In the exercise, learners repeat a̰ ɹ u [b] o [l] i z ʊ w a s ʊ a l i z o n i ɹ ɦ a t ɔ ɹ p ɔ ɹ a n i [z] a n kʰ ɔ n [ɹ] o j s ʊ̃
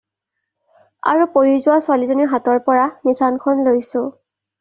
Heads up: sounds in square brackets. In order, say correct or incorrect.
incorrect: p, incorrect: ɹ, incorrect: s, incorrect: l

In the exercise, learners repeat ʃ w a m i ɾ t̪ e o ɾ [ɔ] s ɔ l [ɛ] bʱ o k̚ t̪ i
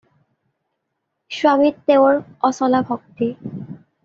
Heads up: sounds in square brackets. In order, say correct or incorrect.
correct, incorrect: a

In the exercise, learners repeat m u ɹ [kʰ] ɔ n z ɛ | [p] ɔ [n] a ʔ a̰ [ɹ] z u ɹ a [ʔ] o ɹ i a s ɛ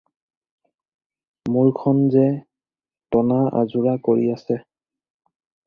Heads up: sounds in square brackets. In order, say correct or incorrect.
correct, incorrect: t, correct, incorrect: none, incorrect: k

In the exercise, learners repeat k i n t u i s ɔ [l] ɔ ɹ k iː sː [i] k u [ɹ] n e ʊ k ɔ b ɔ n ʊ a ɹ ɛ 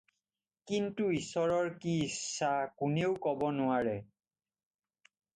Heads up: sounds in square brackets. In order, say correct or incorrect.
incorrect: ɹ, incorrect: a, incorrect: none

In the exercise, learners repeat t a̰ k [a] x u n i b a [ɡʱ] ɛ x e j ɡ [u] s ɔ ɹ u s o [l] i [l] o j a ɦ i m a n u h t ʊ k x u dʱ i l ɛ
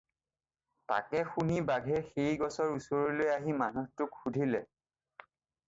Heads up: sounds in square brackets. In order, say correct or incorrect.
incorrect: ɛ, correct, incorrect: ɔ, incorrect: ɹ, correct

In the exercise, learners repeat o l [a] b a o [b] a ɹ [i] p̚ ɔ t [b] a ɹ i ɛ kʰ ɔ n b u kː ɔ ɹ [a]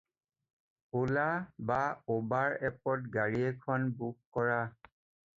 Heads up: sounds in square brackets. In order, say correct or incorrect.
correct, correct, incorrect: ɛ, incorrect: ɡ, correct

